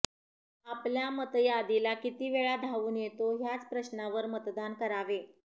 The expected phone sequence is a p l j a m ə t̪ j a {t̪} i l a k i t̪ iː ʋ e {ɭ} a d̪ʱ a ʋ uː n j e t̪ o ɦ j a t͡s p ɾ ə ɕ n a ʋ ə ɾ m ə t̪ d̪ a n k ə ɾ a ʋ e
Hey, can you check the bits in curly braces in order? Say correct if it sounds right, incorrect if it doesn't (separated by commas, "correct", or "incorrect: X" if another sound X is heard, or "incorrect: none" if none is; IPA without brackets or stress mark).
incorrect: d̪, correct